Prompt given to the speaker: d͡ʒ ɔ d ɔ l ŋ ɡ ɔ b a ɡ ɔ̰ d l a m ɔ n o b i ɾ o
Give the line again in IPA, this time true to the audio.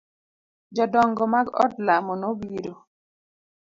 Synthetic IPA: d͡ʒ ɔ d ɔ ŋ ɡ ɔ m a ɡ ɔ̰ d l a m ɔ n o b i ɾ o